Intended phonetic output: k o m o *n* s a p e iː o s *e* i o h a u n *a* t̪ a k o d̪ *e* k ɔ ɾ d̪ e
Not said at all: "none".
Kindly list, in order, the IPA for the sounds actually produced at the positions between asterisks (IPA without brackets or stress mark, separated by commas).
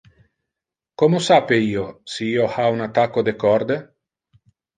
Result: none, i, a, e